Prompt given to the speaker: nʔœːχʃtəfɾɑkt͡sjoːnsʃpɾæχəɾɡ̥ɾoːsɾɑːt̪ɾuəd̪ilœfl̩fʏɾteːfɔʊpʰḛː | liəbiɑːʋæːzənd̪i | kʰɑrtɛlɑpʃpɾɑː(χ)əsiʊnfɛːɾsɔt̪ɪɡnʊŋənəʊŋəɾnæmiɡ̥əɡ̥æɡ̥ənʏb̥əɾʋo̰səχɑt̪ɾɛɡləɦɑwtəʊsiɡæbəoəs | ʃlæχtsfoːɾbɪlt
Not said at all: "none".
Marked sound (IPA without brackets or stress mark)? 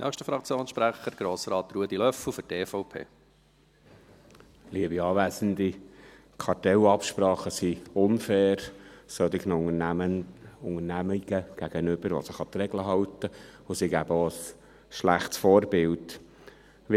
χ